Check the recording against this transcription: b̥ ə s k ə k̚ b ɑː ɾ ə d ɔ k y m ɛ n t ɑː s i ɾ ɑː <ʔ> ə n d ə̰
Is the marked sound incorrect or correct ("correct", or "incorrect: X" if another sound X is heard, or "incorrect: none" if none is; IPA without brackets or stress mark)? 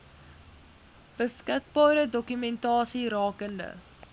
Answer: incorrect: k